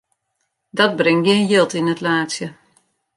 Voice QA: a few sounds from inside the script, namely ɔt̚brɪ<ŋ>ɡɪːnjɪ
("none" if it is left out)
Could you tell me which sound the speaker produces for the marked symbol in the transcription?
ŋ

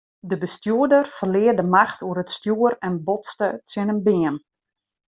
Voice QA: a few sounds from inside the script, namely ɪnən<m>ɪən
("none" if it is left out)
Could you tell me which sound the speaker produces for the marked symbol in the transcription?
b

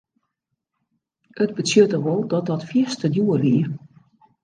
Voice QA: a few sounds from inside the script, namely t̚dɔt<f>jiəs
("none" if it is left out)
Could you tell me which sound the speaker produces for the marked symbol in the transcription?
f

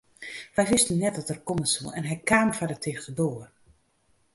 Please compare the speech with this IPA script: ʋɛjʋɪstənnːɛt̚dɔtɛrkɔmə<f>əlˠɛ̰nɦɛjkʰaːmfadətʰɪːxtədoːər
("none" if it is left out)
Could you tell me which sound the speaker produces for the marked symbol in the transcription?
s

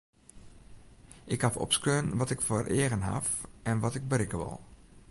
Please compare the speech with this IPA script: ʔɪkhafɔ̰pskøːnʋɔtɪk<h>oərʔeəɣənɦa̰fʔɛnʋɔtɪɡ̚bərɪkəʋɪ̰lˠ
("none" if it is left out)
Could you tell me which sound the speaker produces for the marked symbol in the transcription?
f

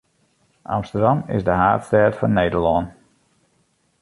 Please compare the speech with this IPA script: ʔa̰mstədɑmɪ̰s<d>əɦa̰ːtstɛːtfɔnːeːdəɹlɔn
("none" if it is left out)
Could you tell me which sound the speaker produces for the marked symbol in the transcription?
d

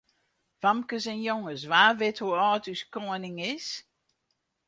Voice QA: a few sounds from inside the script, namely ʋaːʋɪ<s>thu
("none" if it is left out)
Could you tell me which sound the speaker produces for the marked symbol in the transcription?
none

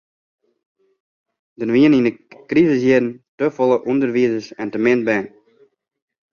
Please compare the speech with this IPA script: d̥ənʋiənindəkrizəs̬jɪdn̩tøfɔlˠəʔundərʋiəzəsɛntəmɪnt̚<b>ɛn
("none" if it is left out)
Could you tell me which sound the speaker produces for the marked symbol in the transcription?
b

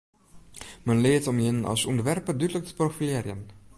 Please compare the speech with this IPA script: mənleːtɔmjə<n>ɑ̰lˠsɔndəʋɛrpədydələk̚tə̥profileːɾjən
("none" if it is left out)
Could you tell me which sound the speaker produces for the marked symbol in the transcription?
n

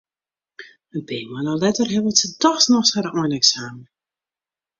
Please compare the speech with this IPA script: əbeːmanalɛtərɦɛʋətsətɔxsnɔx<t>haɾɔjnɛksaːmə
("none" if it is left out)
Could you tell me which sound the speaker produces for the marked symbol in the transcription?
s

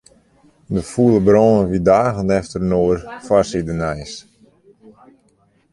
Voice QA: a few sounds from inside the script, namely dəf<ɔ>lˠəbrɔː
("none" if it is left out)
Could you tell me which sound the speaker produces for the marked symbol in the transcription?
u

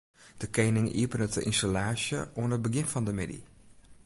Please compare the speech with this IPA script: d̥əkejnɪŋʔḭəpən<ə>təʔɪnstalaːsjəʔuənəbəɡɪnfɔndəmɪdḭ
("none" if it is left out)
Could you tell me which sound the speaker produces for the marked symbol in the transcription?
ə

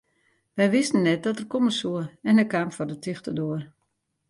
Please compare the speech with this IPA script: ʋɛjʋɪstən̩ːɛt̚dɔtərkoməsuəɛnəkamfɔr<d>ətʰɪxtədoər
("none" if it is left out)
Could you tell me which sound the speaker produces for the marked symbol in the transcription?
d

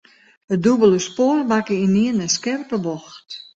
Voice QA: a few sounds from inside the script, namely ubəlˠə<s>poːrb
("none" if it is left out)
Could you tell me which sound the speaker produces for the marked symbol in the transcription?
s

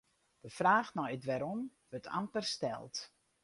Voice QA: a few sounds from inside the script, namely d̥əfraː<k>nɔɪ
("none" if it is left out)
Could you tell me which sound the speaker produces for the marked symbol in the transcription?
x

